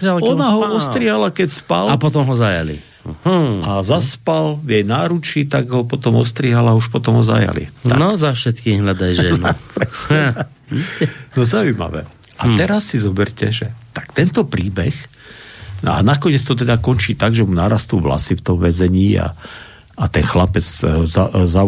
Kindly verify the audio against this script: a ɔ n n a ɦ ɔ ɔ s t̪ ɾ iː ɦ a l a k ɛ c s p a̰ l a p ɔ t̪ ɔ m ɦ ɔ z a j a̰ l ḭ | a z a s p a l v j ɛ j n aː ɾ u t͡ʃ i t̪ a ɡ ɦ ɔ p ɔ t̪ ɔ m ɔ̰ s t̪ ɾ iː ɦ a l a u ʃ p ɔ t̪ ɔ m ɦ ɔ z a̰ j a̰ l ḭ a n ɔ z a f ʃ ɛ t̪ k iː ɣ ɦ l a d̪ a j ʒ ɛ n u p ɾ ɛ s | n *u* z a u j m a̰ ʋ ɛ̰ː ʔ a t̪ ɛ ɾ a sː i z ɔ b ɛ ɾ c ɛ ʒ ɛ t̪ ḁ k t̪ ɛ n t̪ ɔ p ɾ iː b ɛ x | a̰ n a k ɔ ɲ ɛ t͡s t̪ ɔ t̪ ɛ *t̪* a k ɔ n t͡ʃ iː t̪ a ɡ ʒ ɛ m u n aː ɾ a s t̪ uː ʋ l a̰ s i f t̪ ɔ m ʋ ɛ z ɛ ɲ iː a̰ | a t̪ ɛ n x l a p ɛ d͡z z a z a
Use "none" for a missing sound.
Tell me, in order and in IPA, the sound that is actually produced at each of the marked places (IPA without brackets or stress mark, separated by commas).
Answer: ɔ, d̪